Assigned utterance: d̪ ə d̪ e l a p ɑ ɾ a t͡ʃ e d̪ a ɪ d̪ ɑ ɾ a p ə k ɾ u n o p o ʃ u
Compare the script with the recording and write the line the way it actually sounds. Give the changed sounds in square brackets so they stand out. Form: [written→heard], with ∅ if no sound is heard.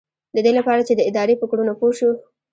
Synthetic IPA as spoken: d̪ ə d̪ e l a p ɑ ɾ a t͡ʃ e d̪ [a→ə] ɪ d̪ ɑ ɾ [a→e] p ə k [ɾ→ɽ] u n o p o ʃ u